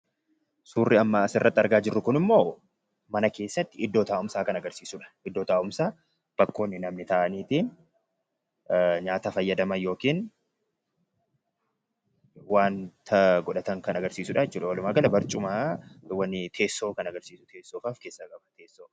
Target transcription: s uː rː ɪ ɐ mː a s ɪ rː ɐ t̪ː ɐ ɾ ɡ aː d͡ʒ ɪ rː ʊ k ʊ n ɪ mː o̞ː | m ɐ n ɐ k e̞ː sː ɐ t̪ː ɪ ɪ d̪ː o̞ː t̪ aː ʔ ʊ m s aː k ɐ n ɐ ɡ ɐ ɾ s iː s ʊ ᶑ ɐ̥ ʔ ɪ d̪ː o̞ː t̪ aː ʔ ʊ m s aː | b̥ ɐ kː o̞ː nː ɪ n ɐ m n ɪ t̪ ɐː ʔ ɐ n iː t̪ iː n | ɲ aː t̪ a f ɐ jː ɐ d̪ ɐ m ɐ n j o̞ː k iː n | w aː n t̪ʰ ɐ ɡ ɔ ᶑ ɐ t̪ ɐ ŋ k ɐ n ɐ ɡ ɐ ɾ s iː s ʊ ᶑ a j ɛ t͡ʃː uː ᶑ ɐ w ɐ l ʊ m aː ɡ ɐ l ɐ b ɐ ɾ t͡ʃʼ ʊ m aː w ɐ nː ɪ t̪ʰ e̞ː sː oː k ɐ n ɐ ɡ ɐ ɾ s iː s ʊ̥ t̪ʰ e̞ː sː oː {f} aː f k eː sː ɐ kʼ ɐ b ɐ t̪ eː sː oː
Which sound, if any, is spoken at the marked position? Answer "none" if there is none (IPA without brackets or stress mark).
f